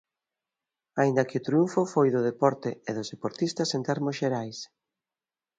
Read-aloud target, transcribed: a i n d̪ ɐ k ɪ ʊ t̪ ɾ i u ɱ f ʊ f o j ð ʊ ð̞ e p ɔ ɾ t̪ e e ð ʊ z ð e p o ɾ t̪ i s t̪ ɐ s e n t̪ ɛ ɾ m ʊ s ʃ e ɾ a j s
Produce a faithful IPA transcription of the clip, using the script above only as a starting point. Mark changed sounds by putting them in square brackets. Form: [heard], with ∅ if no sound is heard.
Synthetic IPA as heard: a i n d̪ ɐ k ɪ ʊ t̪ ɾ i u ɱ f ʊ f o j ð ʊ ð̞ e p ɔ ɾ t̪ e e ð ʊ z ð e p o ɾ t̪ i s t̪ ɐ s e n t̪ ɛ ɾ m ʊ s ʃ e ɾ a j s